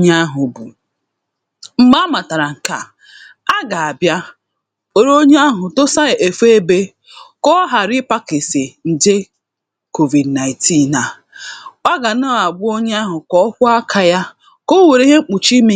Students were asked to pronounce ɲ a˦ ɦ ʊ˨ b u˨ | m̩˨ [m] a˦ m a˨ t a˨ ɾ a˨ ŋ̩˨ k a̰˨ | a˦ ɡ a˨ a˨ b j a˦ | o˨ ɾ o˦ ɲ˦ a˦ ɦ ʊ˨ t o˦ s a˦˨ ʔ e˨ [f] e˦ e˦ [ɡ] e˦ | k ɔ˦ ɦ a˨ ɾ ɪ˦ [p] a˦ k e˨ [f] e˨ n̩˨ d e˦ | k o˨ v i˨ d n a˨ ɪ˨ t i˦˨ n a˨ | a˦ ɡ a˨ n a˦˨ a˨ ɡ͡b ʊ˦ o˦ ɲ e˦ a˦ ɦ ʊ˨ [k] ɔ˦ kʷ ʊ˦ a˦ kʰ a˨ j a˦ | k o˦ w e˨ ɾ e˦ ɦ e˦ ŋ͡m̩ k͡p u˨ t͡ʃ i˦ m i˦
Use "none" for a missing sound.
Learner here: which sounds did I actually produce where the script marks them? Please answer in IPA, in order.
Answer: m, f, b, p, s, k

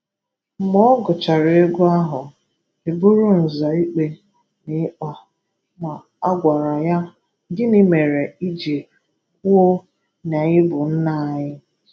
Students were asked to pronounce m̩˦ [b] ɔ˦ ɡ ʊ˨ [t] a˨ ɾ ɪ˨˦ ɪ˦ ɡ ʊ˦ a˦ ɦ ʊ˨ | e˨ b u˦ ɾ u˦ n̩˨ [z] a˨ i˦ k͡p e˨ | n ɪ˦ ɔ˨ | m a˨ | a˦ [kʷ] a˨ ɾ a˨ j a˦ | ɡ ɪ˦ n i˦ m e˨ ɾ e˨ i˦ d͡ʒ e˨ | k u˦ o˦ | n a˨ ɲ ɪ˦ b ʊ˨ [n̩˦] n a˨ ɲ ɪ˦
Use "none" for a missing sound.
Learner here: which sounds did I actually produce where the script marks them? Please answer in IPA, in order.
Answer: m, t͡ʃ, z, ɡʷ, n̩˦

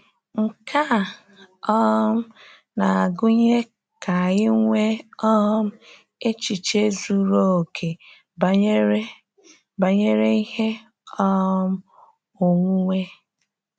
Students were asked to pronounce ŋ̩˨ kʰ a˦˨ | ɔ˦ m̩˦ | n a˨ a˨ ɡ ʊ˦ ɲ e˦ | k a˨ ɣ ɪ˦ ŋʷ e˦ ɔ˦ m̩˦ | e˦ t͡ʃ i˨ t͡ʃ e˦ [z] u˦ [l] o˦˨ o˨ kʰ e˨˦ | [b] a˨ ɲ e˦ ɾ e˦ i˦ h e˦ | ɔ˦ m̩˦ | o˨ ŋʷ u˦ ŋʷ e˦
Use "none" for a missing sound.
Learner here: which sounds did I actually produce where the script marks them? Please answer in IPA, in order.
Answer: z, ɾ, b

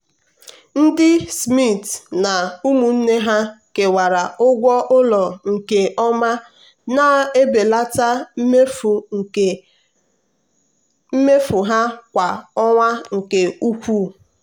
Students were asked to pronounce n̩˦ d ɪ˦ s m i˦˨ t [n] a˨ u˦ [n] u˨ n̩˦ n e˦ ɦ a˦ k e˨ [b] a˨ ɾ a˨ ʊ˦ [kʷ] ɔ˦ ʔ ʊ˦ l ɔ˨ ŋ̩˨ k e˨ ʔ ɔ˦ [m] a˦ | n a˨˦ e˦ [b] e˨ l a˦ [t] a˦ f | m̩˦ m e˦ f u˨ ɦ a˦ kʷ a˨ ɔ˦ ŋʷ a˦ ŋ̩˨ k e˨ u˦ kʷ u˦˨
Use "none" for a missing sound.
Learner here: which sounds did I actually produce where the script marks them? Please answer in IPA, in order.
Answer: n, m, w, ɡʷ, m, b, t

